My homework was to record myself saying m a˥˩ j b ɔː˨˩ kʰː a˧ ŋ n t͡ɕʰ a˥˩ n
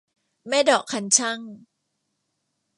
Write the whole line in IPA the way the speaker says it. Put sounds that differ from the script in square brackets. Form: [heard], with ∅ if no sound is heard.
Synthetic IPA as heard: m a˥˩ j [d] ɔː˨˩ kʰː a˧ [∅] n t͡ɕʰ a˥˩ [ŋ]